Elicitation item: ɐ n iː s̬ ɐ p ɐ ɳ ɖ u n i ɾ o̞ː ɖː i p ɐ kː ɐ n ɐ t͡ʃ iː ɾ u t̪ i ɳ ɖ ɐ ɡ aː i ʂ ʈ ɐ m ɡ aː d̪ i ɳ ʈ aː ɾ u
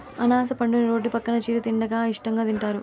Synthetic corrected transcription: ɐ n aː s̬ ɐ p ɐ ɳ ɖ u n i ɾ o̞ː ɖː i p ɐ kː ɐ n ɐ t͡ʃ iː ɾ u t̪ i ɳ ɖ ɐ ɡ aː i ʂ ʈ ɐ ŋ ɡ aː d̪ i ɳ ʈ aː ɾ u